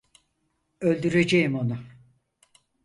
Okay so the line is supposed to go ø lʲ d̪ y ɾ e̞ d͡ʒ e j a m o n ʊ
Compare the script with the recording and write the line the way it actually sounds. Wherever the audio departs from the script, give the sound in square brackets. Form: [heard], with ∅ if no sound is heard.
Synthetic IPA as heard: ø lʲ d̪ y ɾ e̞ d͡ʒ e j [i] m o n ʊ